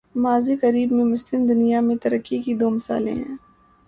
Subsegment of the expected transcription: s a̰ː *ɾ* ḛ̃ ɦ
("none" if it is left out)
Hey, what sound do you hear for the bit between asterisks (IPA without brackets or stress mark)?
l